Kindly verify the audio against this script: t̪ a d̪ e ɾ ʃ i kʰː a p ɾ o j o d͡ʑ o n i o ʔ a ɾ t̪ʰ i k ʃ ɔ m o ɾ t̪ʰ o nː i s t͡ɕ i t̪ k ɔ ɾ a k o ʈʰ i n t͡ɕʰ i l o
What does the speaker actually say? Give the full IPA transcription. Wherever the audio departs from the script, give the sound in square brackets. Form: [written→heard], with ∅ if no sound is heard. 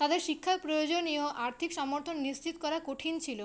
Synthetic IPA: t̪ a d̪ e ɾ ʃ i kʰː a p ɾ o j o d͡ʑ o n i o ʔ a ɾ t̪ʰ i k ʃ ɔ m o ɾ t̪ʰ o nː i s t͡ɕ i t̪ k ɔ ɾ a k o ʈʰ i n t͡ɕʰ i l o